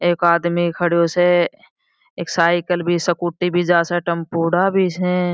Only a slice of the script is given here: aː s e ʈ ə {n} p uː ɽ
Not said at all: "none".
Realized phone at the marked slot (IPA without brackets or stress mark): m